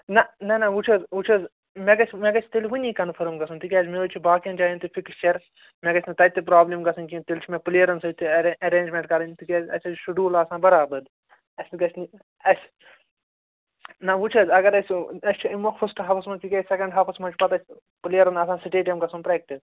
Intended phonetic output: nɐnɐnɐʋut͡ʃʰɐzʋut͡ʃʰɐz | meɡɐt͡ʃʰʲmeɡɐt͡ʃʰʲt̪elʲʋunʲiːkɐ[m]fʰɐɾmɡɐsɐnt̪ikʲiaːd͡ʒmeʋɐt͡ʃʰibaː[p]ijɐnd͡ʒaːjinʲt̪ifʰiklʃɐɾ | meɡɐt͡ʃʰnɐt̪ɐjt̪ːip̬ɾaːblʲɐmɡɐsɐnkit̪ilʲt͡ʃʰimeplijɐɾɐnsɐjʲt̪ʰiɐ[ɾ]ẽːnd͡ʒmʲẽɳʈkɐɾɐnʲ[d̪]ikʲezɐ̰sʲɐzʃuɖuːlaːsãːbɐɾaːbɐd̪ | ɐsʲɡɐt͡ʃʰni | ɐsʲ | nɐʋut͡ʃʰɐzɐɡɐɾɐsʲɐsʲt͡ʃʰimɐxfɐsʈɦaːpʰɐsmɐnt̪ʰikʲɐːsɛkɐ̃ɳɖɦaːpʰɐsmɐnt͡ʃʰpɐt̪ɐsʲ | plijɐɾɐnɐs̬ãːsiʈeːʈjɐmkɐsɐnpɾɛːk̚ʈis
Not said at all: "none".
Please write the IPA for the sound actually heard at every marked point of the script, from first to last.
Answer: n, k, ɾ, t̪

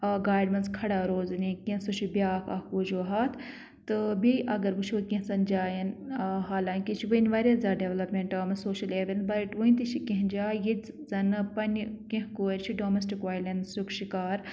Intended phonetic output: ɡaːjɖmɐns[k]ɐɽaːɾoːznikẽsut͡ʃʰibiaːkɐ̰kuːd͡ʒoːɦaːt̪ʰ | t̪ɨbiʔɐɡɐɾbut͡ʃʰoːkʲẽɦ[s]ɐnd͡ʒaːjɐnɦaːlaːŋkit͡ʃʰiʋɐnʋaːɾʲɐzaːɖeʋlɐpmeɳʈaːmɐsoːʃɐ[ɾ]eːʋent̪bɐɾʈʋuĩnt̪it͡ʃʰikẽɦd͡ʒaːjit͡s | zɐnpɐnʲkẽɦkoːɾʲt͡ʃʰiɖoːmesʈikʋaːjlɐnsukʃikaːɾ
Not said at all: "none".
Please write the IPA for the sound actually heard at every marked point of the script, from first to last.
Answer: kʰ, s, l

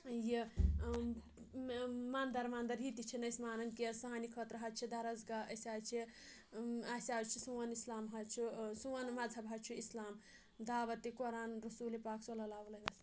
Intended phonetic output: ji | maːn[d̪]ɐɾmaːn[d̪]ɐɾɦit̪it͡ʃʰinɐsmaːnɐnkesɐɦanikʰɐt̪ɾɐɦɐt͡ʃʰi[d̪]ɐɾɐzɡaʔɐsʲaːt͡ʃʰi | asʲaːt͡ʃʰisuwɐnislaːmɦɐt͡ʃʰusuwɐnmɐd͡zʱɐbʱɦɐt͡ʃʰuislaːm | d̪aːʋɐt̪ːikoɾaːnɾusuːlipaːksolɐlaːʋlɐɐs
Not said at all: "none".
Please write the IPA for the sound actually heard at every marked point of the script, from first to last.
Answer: d̪, d̪, d̪

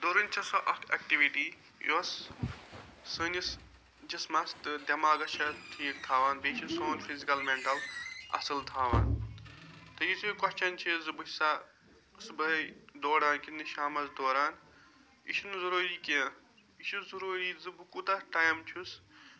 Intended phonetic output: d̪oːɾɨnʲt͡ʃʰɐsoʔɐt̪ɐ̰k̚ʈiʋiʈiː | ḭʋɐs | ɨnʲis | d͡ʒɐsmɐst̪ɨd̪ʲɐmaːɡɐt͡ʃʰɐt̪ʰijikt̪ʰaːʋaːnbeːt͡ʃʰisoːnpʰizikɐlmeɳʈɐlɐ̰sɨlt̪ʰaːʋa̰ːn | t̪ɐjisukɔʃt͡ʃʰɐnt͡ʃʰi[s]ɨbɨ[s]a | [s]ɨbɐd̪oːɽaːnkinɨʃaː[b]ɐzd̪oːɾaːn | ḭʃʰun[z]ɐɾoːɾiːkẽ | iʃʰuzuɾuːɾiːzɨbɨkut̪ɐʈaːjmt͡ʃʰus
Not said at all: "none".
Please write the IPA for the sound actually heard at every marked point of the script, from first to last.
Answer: z, s, s, m, z

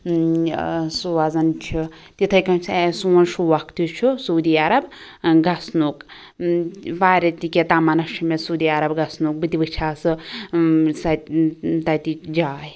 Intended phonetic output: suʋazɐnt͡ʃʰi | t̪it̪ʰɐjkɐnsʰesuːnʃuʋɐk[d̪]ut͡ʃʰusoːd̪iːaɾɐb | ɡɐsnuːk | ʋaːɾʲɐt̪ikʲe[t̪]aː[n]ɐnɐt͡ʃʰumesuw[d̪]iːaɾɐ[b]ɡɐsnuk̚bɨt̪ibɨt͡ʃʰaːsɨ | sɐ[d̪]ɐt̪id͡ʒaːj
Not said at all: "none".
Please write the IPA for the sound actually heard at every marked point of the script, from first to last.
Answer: t̪, t̪, m, d̪, b, t̪

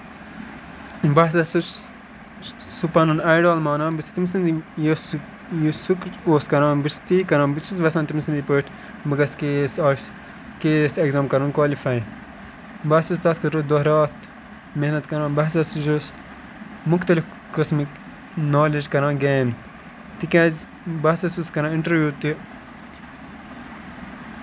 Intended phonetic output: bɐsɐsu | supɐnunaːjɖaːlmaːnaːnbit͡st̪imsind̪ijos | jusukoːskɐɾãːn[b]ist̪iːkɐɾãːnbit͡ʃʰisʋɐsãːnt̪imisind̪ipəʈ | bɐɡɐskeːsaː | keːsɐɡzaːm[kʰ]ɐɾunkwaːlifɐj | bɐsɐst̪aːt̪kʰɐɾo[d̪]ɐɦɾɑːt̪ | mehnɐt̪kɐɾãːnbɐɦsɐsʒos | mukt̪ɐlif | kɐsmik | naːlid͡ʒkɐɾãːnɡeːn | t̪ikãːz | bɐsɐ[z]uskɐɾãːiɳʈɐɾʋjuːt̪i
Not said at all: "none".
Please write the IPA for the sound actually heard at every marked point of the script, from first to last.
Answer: b, k, d̪, s

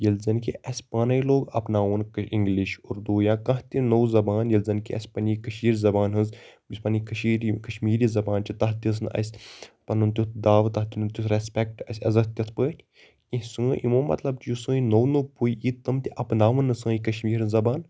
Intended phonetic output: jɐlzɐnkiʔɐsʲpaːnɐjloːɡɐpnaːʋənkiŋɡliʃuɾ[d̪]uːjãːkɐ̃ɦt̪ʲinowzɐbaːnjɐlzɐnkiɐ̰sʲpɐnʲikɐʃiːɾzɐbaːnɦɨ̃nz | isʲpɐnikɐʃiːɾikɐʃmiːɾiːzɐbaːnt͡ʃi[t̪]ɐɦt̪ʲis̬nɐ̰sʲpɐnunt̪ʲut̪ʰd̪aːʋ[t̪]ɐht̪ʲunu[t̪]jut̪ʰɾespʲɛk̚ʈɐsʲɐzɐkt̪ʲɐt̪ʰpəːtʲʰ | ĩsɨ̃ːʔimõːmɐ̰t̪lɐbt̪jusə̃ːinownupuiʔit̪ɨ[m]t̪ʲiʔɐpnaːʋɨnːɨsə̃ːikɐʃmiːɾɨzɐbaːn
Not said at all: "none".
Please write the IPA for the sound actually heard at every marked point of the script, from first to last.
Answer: d̪, t̪, t̪, t̪, m

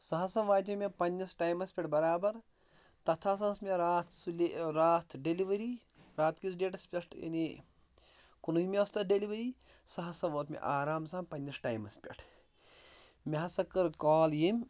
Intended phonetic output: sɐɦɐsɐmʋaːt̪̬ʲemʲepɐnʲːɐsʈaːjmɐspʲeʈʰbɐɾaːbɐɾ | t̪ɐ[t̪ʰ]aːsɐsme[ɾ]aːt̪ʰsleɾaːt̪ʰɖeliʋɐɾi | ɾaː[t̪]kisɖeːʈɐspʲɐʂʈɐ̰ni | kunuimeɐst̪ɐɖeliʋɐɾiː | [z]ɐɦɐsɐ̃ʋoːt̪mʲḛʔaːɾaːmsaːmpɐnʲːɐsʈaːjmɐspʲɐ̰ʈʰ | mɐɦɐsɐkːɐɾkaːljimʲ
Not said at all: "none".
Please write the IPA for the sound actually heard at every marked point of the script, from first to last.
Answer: t̪ʰ, ɾ, t̪, s

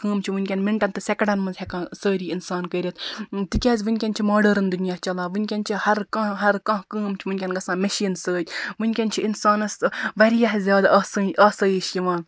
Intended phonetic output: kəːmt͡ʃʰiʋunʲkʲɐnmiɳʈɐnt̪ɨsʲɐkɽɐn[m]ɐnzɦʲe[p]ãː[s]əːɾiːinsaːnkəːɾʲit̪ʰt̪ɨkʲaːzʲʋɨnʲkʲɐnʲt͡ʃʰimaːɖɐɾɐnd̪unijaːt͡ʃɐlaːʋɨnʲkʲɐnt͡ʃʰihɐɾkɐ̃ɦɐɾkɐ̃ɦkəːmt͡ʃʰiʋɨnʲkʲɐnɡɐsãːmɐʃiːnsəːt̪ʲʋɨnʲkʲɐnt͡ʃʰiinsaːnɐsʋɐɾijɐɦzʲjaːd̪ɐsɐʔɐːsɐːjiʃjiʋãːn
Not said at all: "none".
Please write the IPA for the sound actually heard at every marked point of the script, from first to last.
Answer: m, k, s

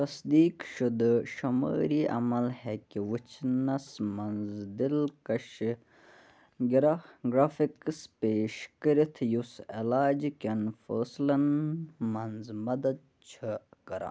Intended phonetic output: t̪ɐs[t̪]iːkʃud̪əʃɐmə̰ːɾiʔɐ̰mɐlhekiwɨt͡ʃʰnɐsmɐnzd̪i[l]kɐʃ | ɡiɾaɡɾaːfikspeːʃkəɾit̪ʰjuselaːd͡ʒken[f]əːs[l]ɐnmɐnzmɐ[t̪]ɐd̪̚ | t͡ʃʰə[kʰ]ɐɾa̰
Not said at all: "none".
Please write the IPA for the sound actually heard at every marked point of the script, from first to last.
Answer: d̪, l, f, l, d̪, k

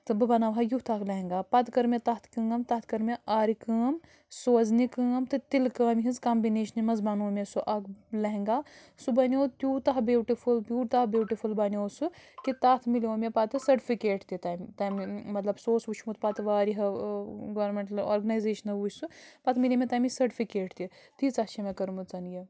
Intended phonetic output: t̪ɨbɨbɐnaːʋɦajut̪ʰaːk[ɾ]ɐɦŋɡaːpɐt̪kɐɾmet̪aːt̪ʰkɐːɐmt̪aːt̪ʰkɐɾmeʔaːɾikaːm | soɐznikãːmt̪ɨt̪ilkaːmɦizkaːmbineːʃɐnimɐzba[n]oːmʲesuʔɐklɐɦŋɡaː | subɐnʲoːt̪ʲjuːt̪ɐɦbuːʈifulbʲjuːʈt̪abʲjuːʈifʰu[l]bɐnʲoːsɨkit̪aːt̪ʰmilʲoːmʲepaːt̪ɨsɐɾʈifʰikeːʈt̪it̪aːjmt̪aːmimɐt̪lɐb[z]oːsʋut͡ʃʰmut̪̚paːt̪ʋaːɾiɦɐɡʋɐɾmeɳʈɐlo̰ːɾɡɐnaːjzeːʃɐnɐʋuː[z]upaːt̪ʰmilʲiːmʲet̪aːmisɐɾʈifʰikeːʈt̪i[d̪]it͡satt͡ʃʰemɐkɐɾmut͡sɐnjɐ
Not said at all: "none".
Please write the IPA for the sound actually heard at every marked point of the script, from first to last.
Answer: l, n, l, s, s, t̪

